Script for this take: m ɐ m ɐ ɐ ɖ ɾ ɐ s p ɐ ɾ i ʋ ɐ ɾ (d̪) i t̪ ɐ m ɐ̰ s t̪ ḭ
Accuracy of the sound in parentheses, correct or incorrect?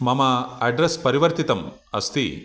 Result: incorrect